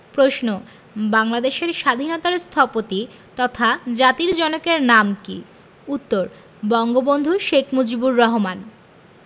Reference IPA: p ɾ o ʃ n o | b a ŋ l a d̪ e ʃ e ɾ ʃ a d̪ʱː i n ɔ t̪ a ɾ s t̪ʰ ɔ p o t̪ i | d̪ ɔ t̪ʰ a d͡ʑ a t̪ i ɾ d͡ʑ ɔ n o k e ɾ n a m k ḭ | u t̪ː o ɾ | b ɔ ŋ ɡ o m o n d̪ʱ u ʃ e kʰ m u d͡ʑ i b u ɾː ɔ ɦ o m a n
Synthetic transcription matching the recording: p ɾ o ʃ n o | b a ŋ l a d̪ e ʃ e ɾ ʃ a d̪ʱ i n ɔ t̪ a ɾ s t̪ʰ ɔ p o t̪ i | t̪ ɔ t̪ʰ a d͡ʑ a t̪ i ɾ d͡ʑ ɔ n o k e ɾ n a m k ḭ | u t̪ː o ɾ | b ɔ ŋ ɡ o b o n d̪ʱ u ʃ e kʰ m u d͡ʑ i b u ɾː ɔ ɦ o m a n